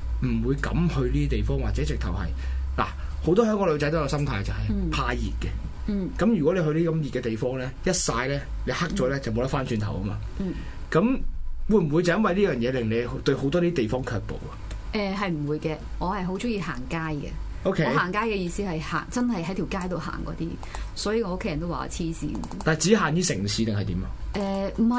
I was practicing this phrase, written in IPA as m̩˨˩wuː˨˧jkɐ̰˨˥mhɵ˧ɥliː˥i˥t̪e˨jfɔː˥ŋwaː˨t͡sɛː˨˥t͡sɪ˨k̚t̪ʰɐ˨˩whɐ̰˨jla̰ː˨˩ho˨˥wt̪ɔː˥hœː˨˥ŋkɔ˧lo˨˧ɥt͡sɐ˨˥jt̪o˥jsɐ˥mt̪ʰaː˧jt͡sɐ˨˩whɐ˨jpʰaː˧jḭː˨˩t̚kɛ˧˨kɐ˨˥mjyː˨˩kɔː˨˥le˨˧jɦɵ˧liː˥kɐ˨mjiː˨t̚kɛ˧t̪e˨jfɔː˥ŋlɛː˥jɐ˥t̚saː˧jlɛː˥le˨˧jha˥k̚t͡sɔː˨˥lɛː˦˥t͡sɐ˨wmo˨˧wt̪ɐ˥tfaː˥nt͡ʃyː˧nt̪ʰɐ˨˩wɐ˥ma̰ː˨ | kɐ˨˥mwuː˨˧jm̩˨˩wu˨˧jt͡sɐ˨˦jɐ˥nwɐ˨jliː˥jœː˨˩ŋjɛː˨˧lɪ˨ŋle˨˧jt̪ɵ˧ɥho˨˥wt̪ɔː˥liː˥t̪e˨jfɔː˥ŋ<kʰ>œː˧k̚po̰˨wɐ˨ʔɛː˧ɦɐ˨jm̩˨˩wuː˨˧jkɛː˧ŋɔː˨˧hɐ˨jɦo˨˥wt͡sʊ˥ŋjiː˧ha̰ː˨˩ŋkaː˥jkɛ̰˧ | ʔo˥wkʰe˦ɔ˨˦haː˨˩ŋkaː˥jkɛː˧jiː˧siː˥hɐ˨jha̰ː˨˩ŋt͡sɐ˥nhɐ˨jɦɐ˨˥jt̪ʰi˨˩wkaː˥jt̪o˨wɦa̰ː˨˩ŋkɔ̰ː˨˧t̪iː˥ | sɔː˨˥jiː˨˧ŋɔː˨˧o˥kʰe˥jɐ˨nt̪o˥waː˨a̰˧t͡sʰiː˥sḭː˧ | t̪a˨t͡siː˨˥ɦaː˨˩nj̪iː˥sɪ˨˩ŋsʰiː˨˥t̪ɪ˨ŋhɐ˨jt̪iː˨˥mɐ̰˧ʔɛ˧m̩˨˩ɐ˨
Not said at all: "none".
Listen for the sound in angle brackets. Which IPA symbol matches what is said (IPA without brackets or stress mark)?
kʰ